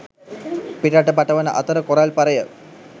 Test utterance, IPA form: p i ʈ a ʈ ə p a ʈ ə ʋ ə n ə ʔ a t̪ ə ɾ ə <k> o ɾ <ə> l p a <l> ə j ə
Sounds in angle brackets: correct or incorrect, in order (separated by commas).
correct, incorrect, incorrect